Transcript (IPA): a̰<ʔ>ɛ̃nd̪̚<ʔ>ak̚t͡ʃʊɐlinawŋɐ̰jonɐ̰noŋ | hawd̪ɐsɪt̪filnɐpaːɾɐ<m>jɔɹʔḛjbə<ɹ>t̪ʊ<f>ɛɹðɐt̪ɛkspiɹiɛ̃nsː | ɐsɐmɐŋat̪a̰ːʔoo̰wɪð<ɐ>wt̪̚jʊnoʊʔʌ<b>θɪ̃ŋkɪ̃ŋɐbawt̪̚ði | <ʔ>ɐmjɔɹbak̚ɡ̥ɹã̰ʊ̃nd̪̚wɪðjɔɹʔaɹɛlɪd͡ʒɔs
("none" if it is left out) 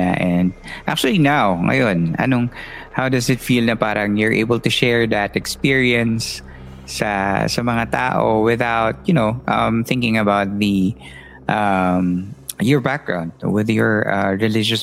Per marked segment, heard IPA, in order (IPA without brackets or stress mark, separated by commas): ʔ, ʔ, ŋ, l, ʃ, a, m, ʔ